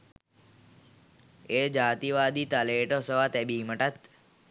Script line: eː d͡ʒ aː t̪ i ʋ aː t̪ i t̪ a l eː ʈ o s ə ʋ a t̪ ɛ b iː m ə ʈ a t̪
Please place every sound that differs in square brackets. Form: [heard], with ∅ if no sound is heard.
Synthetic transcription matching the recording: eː d͡ʒ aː t̪ i ʋ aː [d̪] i t̪ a l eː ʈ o s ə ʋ a t̪ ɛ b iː m ə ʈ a t̪